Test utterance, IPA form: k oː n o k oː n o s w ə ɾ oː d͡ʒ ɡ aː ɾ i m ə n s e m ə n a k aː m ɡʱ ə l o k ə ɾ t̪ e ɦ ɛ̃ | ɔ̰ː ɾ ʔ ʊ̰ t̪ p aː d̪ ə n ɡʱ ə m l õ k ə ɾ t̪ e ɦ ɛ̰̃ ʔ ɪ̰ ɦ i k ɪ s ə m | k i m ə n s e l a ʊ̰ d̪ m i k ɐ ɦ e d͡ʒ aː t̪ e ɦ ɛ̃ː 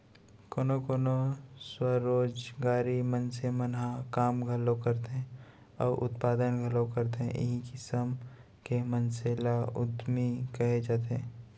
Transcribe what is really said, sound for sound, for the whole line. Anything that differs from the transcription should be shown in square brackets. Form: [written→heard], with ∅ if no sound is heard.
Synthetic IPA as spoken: k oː n o k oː n o s w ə ɾ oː d͡ʒ ɡ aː ɾ i m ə n s e m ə n a k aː m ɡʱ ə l o k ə ɾ t̪ e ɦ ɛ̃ | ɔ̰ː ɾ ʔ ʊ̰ t̪ p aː d̪ ə n ɡʱ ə [m→∅] l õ k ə ɾ t̪ e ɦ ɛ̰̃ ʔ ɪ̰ ɦ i k ɪ s ə m | k [i→e] m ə n s e l a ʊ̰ d̪ m i k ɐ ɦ e d͡ʒ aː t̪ e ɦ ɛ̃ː